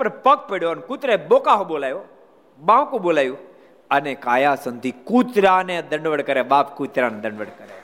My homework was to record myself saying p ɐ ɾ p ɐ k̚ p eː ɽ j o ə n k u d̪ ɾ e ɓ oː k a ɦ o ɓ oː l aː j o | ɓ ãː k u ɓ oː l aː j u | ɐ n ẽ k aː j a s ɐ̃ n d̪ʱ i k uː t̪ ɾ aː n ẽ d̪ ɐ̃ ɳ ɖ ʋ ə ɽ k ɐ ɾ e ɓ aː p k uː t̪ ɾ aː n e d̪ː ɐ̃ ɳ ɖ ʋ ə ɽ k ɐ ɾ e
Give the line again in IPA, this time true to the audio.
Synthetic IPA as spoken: p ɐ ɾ p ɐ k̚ p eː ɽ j o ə n k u t̪ ɾ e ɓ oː k a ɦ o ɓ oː l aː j o | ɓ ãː k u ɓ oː l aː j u | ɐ n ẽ k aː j a s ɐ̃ n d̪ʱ i k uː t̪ ɾ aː n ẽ d̪ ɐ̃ ɳ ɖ ʋ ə ɽ k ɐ ɾ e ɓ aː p k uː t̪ ɾ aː n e d̪ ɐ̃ ɳ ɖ ʋ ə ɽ k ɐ ɾ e